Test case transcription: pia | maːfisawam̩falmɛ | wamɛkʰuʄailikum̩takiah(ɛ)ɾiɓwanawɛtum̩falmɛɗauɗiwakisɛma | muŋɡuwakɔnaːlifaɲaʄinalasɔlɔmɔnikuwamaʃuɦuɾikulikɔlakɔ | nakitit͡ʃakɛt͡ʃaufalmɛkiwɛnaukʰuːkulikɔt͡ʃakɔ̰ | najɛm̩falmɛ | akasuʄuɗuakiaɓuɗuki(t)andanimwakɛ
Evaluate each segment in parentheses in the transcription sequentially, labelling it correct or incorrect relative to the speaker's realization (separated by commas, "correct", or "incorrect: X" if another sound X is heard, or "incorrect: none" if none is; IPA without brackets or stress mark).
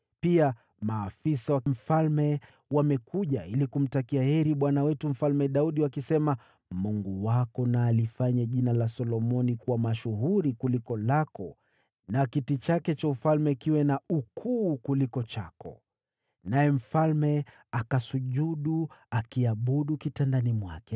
correct, correct